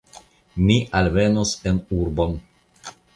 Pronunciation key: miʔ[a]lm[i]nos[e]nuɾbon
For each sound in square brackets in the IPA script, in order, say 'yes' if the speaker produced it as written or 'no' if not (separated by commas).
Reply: yes, no, yes